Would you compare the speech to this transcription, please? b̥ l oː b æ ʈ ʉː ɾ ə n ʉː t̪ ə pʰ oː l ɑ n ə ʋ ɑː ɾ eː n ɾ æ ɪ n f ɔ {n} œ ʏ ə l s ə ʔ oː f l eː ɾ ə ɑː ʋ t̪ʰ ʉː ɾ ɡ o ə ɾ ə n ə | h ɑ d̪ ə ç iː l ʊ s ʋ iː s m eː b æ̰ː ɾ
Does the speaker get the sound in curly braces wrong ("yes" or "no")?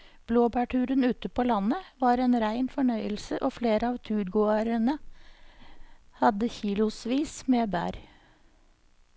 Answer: yes